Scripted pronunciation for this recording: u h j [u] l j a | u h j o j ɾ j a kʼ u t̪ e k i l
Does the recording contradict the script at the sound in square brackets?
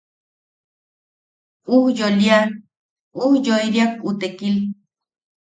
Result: yes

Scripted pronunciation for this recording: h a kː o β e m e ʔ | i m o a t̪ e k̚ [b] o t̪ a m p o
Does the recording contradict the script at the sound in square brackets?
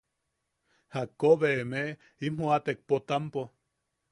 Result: yes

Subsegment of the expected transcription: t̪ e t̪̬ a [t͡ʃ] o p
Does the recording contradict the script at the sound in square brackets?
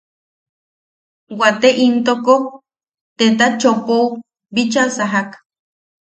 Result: no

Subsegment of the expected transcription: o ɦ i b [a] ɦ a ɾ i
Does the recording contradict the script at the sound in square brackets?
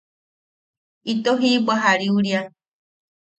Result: no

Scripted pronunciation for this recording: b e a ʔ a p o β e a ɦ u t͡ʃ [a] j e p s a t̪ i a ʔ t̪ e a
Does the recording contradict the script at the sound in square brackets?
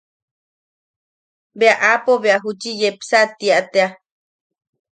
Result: yes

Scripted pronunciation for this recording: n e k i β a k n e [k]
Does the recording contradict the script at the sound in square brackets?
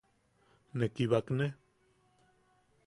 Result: yes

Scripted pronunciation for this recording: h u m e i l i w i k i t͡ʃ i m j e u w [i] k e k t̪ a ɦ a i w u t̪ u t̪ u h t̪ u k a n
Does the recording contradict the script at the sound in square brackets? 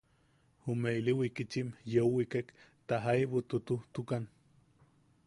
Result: no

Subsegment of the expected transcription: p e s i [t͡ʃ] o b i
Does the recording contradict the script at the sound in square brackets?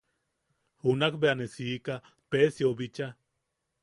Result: yes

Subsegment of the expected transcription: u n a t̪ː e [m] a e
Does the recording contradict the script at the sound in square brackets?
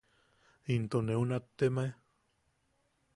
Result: no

